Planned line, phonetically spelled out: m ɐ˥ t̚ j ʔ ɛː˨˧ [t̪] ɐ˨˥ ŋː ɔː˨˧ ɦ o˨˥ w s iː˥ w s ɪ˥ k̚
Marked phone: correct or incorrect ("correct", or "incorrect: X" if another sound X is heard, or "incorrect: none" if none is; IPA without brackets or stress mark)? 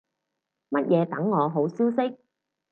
correct